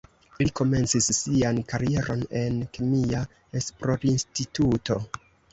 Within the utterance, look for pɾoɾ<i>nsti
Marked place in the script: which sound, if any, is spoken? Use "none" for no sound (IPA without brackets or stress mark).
i